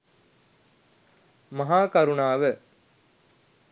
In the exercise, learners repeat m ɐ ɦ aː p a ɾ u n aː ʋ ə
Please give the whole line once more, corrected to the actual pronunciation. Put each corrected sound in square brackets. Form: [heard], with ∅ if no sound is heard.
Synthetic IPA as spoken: m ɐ ɦ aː [k] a ɾ u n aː ʋ ə